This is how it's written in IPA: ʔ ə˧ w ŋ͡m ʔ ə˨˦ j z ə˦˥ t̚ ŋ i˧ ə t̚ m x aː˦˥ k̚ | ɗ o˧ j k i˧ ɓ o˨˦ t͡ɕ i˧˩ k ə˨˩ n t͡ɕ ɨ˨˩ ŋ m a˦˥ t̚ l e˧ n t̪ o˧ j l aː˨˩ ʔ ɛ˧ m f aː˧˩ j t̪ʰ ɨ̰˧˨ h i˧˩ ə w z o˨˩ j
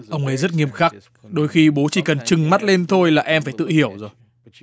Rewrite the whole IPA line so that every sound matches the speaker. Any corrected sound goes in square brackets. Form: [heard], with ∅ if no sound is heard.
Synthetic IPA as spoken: ʔ ə˧ w ŋ͡m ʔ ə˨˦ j z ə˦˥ t̚ ŋ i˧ ə [∅] m x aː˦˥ k̚ | ɗ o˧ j [x] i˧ ɓ o˨˦ t͡ɕ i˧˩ k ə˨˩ n t͡ɕ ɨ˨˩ ŋ m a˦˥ t̚ l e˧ n [t̪ʰ] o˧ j l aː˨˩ ʔ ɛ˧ m f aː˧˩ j [t̪] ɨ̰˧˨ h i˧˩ ə w z o˨˩ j